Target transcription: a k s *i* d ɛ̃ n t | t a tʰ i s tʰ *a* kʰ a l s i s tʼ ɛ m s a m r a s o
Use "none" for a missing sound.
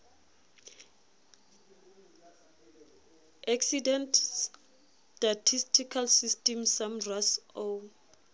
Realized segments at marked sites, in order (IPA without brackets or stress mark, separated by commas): i, i